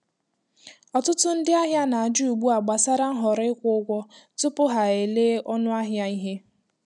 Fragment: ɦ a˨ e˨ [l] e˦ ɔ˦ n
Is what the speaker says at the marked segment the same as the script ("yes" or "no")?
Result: yes